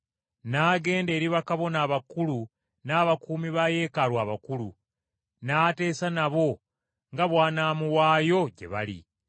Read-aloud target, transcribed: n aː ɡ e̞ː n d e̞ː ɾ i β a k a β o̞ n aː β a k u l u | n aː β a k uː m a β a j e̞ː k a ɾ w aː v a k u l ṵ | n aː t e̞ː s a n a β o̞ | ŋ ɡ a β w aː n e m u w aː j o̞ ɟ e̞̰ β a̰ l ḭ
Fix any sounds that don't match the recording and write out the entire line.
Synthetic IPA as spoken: n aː ɡ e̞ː n d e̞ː ɾ i β a k a β o̞ n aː β a k u l u | n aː β a k uː m i β a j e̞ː k a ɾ w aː β a k u l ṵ | n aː t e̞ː s a n a β o̞ | ŋ ɡ a β w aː n a m u w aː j o̞ ɟ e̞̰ β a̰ l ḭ